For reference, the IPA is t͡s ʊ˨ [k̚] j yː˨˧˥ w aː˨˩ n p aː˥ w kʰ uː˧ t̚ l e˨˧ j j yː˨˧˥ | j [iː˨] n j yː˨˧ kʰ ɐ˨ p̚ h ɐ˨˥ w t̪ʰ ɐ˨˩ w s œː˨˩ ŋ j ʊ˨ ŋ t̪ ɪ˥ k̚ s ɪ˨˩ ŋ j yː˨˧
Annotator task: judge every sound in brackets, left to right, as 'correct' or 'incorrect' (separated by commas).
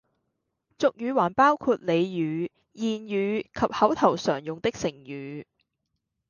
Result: correct, correct